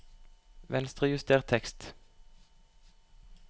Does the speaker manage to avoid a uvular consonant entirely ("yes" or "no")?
no